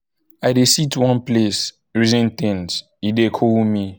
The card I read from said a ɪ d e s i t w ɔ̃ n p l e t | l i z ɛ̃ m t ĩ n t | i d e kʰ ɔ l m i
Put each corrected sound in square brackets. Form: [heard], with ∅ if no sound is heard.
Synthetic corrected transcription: a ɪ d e s i t w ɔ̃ n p l e [s] | [ɹ] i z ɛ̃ [n] t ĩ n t | i d e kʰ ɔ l m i